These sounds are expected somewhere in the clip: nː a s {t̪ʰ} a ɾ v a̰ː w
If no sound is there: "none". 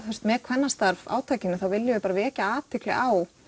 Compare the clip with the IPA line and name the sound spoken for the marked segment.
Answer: t̪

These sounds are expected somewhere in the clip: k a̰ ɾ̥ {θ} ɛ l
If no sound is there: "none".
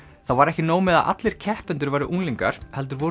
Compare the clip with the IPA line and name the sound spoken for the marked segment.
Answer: h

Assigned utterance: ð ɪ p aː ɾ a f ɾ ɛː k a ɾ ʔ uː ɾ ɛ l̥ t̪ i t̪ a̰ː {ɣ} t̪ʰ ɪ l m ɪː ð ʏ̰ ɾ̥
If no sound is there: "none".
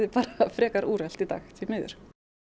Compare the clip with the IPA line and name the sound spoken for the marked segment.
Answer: x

